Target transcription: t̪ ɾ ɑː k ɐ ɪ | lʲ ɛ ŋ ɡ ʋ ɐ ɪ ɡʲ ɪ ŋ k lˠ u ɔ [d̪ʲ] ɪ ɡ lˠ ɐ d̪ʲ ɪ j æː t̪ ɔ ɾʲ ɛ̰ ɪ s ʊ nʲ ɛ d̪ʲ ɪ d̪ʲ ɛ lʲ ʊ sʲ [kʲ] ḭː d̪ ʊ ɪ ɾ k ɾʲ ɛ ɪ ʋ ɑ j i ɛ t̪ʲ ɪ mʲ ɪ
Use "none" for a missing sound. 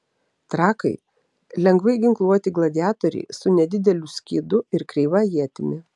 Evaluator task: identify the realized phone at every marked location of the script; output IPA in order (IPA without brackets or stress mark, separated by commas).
t̪ʲ, kʲ